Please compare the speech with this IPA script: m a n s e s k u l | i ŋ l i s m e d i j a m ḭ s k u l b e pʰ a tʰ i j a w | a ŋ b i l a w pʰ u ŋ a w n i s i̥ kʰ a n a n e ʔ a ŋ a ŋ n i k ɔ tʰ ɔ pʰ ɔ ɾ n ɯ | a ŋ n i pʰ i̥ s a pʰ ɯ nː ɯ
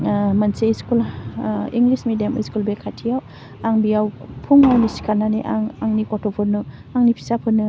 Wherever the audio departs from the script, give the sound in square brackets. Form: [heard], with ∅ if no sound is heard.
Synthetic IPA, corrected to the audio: m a n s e s k u l | i ŋ l i s m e d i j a m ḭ s k u l b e [kʰ] a tʰ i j a w | a ŋ b i [∅] a w pʰ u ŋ a w n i s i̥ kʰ a n a n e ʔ a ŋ a ŋ n i k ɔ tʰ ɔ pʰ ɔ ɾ n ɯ | a ŋ n i pʰ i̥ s a pʰ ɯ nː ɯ